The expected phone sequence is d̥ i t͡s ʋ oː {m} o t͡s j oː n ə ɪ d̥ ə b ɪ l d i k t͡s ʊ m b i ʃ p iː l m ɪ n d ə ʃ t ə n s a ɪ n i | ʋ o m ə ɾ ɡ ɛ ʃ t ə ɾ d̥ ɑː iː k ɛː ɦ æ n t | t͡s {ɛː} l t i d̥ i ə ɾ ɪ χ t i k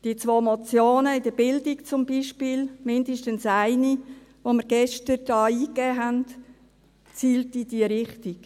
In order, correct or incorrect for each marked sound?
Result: correct, incorrect: iː

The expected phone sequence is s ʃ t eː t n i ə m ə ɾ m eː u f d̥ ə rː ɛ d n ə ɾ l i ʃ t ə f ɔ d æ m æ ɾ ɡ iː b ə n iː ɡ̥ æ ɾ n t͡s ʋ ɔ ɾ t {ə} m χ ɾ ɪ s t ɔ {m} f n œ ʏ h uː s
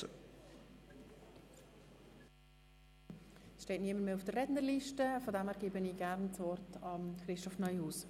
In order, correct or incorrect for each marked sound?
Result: incorrect: ɑ, incorrect: none

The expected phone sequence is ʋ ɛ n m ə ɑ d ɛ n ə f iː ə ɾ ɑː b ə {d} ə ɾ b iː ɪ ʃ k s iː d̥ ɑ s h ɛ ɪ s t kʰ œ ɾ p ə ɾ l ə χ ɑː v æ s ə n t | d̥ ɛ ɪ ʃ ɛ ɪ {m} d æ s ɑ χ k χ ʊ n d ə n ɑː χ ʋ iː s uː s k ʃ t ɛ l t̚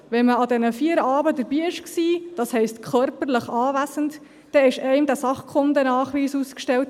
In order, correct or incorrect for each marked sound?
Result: correct, correct

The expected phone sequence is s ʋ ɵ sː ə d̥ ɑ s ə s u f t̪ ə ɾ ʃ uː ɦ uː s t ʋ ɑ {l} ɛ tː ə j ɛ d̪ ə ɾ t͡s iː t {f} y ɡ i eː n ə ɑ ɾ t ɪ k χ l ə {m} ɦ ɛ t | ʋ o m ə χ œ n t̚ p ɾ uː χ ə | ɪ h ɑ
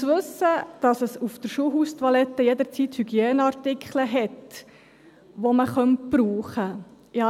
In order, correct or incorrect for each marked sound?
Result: correct, incorrect: h, incorrect: none

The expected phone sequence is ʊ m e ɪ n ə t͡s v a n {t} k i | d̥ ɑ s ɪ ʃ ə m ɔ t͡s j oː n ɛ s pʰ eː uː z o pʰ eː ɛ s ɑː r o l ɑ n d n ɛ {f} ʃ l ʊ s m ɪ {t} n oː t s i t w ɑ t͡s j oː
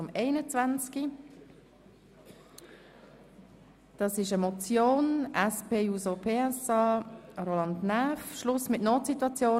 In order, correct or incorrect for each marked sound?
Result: incorrect: t͡s, correct, correct

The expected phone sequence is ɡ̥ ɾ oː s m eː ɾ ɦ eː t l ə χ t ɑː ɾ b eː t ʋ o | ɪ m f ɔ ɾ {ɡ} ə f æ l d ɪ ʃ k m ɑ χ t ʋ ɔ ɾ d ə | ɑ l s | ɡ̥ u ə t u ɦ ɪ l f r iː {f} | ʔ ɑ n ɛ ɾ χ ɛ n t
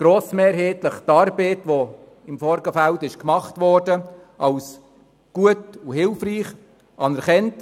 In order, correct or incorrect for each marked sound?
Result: correct, incorrect: χ

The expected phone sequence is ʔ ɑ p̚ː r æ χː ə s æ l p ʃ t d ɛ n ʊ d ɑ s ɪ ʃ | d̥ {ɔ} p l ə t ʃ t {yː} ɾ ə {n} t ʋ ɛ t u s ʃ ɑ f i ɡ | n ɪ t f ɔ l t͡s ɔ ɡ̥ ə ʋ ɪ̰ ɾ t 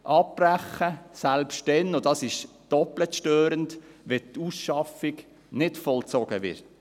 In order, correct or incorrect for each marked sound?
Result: correct, incorrect: øː, correct

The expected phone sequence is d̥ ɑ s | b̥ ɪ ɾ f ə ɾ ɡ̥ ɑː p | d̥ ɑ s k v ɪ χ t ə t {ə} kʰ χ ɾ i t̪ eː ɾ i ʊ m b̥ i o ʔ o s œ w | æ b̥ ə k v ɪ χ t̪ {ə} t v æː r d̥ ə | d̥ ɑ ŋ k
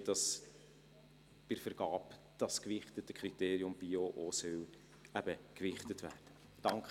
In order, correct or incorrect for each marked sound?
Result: correct, correct

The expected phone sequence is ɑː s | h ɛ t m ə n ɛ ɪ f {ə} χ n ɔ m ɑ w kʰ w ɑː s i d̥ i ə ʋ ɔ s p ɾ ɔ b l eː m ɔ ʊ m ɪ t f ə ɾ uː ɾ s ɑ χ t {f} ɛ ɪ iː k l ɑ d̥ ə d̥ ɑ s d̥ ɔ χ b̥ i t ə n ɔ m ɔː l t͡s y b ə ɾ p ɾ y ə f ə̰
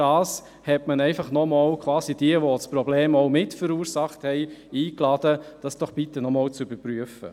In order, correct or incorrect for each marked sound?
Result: incorrect: ɑ, incorrect: h

